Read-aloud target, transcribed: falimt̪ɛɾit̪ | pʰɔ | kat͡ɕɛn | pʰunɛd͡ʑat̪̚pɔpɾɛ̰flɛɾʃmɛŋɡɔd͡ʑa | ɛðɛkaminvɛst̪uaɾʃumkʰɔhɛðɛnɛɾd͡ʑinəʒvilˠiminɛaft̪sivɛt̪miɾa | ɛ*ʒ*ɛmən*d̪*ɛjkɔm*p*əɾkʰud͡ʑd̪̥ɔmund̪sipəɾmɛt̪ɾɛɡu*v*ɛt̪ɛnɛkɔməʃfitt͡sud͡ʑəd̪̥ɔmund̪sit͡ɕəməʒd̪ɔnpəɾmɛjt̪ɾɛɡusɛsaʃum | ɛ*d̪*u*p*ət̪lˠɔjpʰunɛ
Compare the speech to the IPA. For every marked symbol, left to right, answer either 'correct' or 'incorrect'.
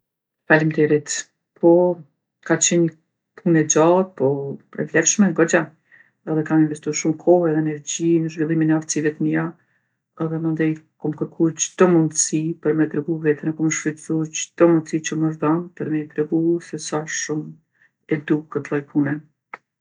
incorrect: ð, correct, incorrect: k, correct, correct, incorrect: k

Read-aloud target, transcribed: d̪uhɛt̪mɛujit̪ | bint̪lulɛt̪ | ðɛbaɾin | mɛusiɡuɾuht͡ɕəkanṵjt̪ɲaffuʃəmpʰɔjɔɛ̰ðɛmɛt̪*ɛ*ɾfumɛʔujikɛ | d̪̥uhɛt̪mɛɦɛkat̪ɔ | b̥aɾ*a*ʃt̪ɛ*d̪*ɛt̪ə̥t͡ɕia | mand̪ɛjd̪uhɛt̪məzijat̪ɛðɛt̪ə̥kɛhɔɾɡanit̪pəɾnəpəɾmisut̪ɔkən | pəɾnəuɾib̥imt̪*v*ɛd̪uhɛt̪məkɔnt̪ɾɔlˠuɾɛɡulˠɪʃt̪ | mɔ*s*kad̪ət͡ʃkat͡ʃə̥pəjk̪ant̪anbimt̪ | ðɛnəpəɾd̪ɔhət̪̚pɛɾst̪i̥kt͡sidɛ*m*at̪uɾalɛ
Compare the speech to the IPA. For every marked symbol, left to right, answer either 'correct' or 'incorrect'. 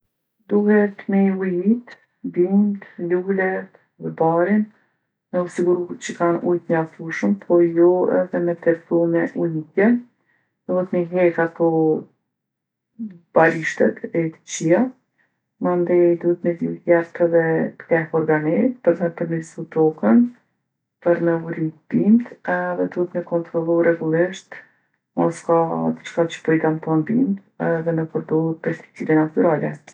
correct, incorrect: i, incorrect: t̪, incorrect: ð, correct, incorrect: n

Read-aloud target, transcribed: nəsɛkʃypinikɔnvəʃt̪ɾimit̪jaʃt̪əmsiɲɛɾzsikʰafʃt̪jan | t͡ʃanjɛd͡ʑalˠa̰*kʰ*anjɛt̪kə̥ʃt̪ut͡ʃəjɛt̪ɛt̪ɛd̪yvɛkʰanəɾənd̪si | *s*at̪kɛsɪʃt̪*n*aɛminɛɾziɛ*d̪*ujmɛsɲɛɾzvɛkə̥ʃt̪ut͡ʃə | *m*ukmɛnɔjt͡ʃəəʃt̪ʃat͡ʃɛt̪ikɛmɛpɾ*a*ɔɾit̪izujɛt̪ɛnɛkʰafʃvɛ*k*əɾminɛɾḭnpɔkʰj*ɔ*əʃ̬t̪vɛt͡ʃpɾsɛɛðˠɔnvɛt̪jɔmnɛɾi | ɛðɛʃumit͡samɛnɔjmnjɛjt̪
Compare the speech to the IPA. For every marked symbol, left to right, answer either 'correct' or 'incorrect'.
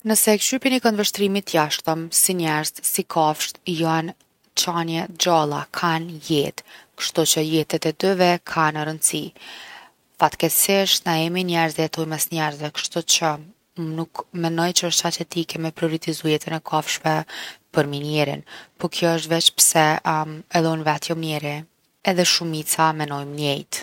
correct, incorrect: f, correct, incorrect: t̪, incorrect: n, incorrect: i, incorrect: p, correct

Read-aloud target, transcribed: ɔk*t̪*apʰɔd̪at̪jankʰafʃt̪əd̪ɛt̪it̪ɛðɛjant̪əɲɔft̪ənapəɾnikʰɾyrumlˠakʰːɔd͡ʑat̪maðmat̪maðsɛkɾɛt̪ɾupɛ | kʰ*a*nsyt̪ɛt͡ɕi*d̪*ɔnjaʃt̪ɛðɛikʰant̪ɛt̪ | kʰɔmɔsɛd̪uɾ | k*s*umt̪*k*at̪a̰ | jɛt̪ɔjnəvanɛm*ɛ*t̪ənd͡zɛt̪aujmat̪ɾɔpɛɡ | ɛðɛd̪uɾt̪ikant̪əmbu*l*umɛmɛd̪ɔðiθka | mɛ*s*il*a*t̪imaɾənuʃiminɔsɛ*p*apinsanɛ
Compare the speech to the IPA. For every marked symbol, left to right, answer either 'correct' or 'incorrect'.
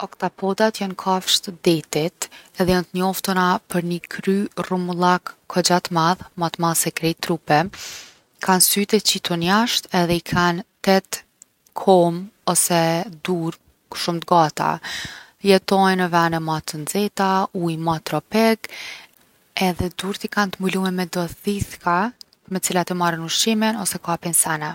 correct, correct, incorrect: t̪, incorrect: ʃ, incorrect: ɡ, incorrect: a, correct, incorrect: t͡s, correct, incorrect: k

